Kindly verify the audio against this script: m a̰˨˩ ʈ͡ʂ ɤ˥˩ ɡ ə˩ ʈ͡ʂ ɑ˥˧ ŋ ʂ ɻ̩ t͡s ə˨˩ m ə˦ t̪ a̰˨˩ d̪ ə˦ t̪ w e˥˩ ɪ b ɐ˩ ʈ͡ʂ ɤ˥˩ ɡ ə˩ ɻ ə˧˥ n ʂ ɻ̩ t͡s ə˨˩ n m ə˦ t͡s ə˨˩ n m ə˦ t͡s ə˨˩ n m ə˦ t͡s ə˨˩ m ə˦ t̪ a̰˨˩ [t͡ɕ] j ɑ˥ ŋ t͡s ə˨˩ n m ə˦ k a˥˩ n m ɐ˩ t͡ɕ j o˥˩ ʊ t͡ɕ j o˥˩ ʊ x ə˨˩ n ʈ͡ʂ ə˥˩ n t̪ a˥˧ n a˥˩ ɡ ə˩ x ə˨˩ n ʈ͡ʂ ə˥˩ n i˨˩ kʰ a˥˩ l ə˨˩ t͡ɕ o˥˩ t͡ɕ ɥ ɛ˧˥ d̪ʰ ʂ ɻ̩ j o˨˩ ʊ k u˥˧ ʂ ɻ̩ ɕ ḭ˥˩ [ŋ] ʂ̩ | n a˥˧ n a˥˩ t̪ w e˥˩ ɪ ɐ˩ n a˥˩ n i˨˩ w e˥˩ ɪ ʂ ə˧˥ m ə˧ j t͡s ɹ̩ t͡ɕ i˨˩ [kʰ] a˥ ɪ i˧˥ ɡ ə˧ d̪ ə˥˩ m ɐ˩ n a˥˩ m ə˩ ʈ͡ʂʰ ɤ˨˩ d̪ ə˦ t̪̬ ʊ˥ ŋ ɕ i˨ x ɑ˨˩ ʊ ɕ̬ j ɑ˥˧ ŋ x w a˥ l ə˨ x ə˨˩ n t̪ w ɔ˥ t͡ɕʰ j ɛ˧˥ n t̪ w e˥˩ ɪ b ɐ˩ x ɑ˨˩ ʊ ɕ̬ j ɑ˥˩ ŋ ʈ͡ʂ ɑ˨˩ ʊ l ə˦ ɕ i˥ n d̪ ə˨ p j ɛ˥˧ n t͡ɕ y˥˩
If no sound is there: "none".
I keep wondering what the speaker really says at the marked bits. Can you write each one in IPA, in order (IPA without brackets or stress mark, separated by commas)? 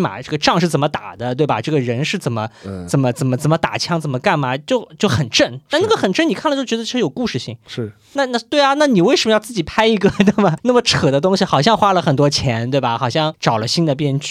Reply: t͡ɕʰ, ŋ, pʰ